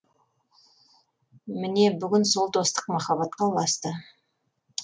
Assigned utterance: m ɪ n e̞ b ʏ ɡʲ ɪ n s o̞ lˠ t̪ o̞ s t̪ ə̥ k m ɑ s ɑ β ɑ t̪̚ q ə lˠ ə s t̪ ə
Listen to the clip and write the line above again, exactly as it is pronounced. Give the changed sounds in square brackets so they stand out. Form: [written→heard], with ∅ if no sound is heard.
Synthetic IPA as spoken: m ɪ n e̞ b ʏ ɡʲ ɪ n s o̞ lˠ t̪ o̞ s t̪ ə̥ [k→q] m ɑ [s→χ] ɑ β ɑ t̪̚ q [ə→ɑ] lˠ [ə→ɑ] s t̪ ə